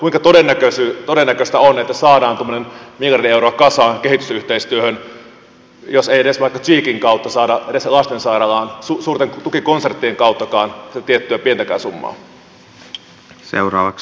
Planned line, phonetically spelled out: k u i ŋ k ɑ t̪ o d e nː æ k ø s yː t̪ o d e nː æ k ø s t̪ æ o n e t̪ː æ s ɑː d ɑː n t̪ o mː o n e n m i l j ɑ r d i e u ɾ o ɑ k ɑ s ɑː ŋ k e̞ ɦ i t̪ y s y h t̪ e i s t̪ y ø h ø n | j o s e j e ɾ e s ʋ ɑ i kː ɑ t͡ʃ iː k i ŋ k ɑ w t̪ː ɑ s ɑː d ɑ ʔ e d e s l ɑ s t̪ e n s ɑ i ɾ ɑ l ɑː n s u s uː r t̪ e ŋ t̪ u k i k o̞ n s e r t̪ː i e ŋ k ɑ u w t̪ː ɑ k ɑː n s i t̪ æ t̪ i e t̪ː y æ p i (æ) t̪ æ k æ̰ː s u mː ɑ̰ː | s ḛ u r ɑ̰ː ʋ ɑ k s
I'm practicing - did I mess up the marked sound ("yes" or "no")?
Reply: yes